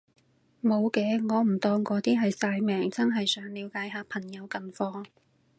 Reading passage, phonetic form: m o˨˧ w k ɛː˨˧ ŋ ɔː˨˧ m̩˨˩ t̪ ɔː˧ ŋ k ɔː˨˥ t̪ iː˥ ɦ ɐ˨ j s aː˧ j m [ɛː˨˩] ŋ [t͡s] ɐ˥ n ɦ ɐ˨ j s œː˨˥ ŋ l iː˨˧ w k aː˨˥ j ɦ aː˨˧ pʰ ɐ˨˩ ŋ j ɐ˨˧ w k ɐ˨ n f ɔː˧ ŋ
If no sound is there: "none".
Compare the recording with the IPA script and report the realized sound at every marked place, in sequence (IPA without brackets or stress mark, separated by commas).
ɛː˨˩, t͡s